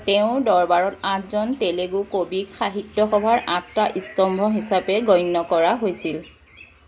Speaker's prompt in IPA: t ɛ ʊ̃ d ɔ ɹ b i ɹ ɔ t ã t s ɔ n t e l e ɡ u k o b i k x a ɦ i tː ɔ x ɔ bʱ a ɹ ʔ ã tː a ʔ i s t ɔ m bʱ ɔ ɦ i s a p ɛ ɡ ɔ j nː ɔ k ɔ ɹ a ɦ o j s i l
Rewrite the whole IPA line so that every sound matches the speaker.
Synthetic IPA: t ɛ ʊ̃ d ɔ ɹ b a ɹ ɔ t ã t z ɔ n t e l e ɡ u k o b i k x a ɦ i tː ɔ x ɔ bʱ a ɹ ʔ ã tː a ʔ i s t ɔ m bʱ ɔ ɦ i s a p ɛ ɡ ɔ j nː ɔ k ɔ ɹ a ɦ o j s i l